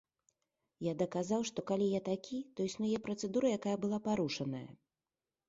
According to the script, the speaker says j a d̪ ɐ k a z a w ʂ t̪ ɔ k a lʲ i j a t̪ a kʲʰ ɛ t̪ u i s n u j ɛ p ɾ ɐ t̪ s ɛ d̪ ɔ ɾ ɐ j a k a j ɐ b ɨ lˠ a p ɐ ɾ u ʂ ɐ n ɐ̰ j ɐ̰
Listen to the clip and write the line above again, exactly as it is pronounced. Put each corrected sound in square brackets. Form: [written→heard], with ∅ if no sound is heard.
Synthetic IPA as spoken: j a d̪ ɐ k a z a w ʂ t̪ ɔ k a lʲ i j a t̪ a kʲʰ [ɛ→i] t̪ [u→ɔ] i s n u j ɛ p ɾ ɐ t̪ s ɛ d̪ [ɔ→u] ɾ ɐ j a k a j ɐ b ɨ lˠ a p [ɐ→a] ɾ u ʂ ɐ n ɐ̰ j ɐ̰